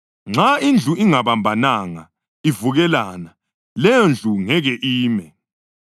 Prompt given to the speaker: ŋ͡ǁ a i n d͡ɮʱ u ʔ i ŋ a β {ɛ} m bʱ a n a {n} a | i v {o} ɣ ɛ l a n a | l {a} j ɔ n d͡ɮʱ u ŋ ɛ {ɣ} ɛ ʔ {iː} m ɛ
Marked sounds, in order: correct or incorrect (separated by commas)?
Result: incorrect, incorrect, incorrect, incorrect, correct, correct